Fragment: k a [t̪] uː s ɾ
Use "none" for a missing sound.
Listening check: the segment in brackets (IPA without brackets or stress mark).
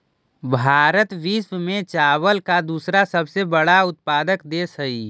d̪